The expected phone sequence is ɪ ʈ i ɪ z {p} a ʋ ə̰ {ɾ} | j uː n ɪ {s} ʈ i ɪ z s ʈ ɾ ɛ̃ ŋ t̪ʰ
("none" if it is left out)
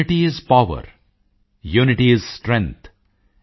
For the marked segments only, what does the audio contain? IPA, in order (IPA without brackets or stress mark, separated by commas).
p, ɾ, none